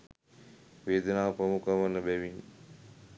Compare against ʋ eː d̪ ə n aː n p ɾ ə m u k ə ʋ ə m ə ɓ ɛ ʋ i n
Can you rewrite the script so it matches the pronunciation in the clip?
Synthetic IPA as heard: ʋ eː d̪ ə n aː p ɾ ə m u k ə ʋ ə n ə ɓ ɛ ʋ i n